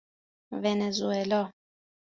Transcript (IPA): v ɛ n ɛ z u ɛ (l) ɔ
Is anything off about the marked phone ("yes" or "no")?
no